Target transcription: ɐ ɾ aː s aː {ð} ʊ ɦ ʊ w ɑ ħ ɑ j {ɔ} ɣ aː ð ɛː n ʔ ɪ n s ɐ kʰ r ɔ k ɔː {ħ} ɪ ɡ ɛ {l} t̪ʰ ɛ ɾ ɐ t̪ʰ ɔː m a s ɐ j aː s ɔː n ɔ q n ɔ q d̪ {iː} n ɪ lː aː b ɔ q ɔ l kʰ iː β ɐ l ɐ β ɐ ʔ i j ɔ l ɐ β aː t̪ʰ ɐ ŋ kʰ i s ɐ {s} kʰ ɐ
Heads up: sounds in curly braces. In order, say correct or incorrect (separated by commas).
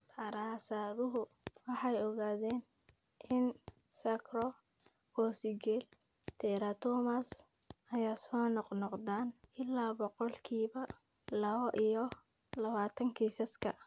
correct, correct, incorrect, correct, incorrect, correct